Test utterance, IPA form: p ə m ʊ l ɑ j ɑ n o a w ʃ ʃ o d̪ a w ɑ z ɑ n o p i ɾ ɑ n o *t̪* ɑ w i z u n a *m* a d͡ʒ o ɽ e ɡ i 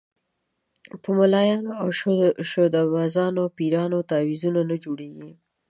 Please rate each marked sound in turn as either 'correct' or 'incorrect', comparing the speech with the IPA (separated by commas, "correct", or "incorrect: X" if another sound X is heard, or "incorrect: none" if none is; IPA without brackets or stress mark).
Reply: correct, incorrect: n